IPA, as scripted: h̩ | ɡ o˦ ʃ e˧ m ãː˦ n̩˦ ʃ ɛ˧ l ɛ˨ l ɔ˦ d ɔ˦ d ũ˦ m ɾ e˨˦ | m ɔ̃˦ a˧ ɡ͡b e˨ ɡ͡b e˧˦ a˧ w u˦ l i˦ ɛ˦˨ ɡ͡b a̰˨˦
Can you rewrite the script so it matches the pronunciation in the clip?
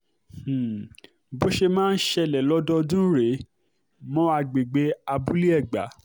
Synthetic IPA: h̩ | b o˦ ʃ e˧ m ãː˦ n̩˦ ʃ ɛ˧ l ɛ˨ l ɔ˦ d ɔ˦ d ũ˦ ɾ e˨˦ | m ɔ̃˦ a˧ ɡ͡b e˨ ɡ͡b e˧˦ a˧ b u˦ l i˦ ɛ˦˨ ɡ͡b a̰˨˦